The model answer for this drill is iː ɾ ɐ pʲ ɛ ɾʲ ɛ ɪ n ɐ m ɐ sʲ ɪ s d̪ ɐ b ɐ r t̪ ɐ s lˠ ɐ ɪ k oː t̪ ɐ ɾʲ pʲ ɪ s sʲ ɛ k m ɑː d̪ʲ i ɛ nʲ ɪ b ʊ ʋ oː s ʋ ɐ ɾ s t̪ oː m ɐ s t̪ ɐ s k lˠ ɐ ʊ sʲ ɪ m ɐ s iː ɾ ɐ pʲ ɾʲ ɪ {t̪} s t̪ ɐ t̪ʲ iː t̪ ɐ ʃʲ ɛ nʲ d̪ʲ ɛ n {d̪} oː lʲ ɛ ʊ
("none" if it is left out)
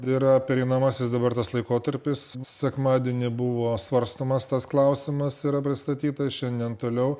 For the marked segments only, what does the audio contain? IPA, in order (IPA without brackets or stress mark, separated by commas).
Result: none, t̪